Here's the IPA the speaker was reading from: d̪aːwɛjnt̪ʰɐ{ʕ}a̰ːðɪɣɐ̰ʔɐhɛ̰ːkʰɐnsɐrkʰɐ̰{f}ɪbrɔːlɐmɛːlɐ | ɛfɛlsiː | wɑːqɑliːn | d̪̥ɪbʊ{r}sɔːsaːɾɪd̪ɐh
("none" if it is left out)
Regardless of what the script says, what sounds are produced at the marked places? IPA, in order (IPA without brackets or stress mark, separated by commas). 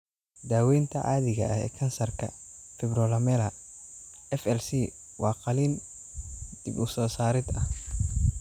ʕ, f, none